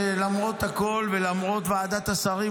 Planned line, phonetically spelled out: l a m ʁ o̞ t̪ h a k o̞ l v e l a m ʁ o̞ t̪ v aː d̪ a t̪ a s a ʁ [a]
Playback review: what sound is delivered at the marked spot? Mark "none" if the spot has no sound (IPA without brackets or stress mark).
i